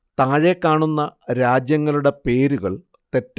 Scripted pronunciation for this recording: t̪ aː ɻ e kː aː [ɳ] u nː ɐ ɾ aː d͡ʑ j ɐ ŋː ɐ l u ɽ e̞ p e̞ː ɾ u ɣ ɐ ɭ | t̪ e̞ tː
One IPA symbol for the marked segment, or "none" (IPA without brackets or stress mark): ɳ